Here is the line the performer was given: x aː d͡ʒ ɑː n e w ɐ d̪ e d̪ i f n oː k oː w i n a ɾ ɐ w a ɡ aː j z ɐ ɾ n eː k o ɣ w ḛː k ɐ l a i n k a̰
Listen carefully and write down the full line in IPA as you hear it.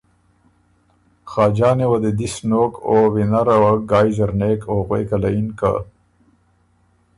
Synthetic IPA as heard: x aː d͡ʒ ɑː n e w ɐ d̪ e d̪ i s n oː k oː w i n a ɾ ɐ w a ɡ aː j z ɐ ɾ n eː k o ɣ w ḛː k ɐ l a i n k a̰